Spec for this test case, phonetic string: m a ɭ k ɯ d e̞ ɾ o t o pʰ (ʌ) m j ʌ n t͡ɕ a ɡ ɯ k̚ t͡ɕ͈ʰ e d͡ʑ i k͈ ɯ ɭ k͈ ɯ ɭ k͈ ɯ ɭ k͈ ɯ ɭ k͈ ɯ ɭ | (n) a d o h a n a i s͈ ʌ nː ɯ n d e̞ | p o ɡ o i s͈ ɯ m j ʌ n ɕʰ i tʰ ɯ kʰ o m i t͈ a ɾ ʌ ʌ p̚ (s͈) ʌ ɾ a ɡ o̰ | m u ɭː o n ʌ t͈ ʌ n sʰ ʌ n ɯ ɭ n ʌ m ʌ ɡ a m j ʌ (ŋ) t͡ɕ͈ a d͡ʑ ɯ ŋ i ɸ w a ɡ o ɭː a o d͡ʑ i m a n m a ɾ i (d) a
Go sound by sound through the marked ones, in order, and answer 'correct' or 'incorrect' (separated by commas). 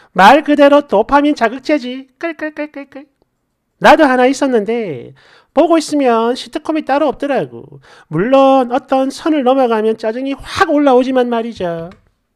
incorrect, correct, incorrect, incorrect, incorrect